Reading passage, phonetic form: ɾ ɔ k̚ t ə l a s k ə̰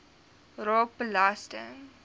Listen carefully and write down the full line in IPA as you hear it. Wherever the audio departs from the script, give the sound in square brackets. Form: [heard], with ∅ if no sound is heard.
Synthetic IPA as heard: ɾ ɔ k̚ [p] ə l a s [t] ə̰